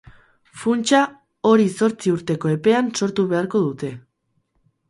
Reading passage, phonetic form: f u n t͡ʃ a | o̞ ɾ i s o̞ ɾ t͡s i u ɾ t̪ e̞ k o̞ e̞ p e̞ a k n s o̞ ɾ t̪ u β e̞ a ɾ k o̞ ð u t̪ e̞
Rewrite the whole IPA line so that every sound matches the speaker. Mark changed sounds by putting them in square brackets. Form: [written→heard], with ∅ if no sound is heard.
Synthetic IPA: f u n t͡ʃ a | o̞ ɾ i s o̞ ɾ t͡s i u ɾ t̪ e̞ k o̞ e̞ p e̞ a [k→∅] n s o̞ ɾ t̪ u β e̞ a ɾ k o̞ ð u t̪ e̞